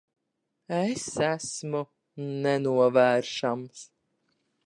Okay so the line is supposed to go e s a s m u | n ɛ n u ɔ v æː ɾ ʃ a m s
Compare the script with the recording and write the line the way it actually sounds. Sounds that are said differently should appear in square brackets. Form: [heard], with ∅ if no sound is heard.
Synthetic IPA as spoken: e s [æ] s m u | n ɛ n u ɔ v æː ɾ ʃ a m s